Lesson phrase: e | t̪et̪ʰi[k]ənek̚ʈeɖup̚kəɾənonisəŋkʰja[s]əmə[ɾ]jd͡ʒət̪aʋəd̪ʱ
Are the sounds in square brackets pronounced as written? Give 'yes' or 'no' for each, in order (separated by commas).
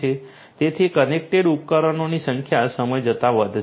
yes, yes, no